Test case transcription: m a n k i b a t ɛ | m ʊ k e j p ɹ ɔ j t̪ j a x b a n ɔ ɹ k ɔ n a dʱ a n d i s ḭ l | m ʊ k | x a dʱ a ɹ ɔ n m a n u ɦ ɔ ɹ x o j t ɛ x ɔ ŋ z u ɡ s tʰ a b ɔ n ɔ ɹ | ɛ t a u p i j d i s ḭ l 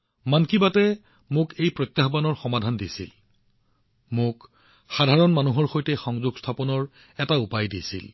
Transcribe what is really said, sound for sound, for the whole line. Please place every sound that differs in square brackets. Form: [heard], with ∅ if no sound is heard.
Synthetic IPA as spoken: m a n k i b a t ɛ | m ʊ k e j p ɹ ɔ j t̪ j a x b a n ɔ ɹ [x] ɔ [m] a dʱ a n d i s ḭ l | m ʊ k | x a dʱ a ɹ ɔ n m a n u ɦ ɔ ɹ x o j t ɛ x ɔ ŋ z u ɡ s tʰ a [p] ɔ n ɔ ɹ | ɛ t a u p [a] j d i s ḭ l